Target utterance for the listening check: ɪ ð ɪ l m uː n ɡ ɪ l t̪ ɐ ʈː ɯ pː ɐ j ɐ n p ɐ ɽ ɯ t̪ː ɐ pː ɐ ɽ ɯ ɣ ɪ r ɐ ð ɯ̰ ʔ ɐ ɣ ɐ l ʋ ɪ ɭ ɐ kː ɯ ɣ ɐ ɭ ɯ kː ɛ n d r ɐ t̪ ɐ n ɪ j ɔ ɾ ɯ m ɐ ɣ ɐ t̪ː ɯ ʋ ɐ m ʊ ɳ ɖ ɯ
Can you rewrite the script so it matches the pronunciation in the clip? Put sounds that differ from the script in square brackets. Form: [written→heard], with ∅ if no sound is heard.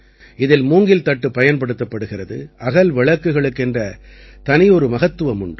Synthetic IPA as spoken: ɪ ð ɪ l m uː [n→ŋ] ɡ ɪ l t̪ ɐ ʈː ɯ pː ɐ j ɐ n p ɐ ɽ ɯ t̪ː ɐ pː ɐ ɽ ɯ ɣ ɪ r ɐ ð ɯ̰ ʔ ɐ ɣ ɐ l ʋ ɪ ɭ ɐ kː ɯ ɣ ɐ ɭ ɯ kː ɛ n d r ɐ t̪ ɐ n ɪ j ɔ ɾ ɯ m ɐ ɣ ɐ t̪ː ɯ ʋ ɐ m ʊ ɳ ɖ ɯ

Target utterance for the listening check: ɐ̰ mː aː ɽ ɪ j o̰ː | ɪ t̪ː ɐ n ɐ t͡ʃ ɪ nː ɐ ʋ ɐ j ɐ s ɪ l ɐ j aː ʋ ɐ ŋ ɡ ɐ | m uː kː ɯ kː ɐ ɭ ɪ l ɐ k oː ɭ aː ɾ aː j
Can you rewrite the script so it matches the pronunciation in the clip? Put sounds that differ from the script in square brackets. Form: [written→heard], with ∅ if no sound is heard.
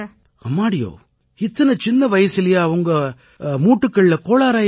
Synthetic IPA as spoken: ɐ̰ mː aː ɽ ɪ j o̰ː | ɪ t̪ː ɐ n ɐ t͡ʃ ɪ nː ɐ ʋ ɐ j ɐ s ɪ l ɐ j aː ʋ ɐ ŋ ɡ ɐ | m uː [kː→ʈː] ɯ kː ɐ ɭ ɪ l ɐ k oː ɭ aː ɾ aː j

